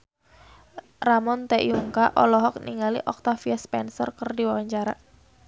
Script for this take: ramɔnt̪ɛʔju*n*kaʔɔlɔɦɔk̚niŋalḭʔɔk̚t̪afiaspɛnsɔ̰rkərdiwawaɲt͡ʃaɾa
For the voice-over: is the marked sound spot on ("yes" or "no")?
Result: no